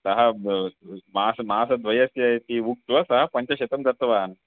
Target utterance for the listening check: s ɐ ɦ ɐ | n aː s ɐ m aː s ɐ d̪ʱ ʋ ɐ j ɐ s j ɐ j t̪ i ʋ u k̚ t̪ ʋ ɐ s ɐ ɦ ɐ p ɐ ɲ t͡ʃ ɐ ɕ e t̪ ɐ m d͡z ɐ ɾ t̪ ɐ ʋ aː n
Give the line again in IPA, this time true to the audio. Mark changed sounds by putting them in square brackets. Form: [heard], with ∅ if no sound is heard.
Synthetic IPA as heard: s ɐ ɦ ɐ | [m] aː s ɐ m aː s ɐ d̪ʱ ʋ ɐ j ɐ s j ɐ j t̪ i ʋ u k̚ t̪ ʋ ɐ s ɐ ɦ ɐ p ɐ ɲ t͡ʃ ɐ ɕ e t̪ ɐ m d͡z ɐ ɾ t̪ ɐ ʋ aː n